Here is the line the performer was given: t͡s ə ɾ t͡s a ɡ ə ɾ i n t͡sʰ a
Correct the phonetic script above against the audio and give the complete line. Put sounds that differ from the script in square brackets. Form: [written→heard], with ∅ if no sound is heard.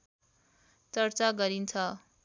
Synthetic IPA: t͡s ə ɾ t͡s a ɡ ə ɾ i n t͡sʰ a